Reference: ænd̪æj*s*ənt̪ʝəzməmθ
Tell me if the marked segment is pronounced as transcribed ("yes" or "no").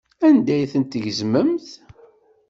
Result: no